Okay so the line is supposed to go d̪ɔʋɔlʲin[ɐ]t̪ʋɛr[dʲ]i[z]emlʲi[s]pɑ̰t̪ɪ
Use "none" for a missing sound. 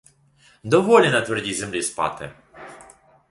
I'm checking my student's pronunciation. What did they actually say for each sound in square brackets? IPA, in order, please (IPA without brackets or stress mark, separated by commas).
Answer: ɐ, dʲ, z, s